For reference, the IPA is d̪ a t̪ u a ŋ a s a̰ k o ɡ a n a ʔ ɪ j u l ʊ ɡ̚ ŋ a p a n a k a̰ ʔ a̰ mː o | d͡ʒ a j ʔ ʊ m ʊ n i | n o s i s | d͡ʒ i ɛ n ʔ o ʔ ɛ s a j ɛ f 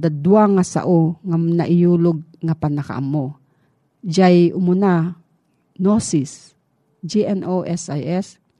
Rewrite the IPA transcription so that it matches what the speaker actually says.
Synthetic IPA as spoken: d̪ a d̪ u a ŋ a s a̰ ʔ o ŋ a n a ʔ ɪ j u l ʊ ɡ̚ ŋ a p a n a k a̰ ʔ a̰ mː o | d͡ʒ a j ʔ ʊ m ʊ n a | n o s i s | d͡ʒ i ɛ n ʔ o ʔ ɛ s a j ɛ s